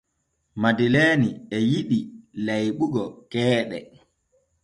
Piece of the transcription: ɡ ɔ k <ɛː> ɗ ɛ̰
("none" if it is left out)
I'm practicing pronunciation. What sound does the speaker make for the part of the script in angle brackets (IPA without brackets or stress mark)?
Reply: ɛː